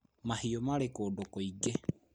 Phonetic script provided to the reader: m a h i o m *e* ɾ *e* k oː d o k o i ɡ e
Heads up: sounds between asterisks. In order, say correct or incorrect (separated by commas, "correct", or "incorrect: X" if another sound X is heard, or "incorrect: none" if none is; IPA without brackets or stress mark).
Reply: incorrect: a, correct